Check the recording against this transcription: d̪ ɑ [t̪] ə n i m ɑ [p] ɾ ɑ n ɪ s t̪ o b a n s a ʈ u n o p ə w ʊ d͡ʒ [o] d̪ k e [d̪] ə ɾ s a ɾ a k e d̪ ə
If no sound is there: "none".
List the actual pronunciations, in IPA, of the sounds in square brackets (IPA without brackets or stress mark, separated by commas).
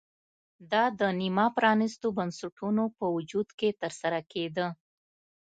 d̪, p, u, t̪